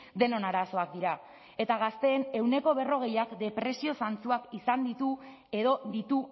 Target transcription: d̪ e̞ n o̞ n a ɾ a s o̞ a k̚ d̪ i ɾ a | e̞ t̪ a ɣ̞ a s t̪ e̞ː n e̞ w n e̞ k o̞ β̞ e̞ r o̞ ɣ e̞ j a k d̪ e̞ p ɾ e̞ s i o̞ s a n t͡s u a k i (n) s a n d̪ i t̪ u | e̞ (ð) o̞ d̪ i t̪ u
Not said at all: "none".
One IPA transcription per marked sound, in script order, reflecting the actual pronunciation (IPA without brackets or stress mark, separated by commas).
none, ð